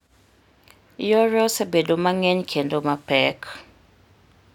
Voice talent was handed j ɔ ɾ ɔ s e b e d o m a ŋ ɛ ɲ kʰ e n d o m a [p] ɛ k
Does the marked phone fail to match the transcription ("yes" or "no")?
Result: no